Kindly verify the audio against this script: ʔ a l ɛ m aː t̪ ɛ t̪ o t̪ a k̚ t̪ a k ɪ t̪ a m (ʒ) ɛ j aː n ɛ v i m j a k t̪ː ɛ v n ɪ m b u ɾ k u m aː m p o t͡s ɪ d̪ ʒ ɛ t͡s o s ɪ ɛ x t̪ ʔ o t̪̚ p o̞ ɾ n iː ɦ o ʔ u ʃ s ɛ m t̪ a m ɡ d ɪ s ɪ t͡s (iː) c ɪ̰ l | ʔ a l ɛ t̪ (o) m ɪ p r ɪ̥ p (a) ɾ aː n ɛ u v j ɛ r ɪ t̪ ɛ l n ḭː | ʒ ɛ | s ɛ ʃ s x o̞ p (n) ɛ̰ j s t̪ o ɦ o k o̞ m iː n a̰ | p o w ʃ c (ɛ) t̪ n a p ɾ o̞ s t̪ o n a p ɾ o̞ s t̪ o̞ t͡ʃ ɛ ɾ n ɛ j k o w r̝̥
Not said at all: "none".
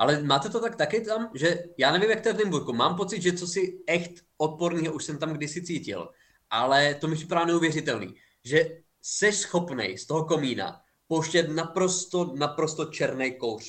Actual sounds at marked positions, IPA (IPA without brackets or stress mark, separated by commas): ʒ, iː, o, a, n, ɛ